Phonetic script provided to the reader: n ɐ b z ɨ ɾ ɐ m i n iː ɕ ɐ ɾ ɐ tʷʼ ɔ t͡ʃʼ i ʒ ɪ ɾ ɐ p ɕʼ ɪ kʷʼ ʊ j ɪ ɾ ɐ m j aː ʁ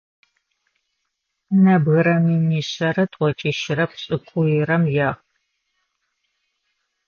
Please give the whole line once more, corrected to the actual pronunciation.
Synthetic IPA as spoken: n ɐ b ɣ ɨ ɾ ɐ m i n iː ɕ ɐ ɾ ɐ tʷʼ ɔ t͡ʃʼ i ʃ ɪ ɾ ɐ p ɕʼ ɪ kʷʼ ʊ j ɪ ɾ ɐ m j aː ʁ